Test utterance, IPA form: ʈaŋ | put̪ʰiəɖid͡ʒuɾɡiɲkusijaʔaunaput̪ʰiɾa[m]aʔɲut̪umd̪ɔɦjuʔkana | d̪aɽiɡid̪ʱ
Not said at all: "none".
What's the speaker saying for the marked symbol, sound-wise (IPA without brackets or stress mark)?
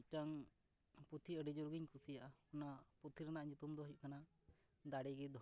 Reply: n